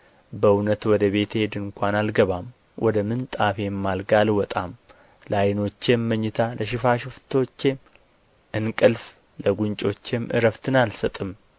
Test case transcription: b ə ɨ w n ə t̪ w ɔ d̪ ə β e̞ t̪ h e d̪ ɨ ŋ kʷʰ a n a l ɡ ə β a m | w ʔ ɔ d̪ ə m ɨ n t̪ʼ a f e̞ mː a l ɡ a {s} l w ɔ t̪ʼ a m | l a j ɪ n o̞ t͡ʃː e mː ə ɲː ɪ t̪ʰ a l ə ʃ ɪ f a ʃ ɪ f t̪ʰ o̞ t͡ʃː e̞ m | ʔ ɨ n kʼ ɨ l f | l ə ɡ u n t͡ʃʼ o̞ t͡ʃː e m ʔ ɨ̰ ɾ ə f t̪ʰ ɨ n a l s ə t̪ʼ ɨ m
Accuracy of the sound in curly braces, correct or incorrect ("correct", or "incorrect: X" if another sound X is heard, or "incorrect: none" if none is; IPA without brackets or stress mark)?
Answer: incorrect: none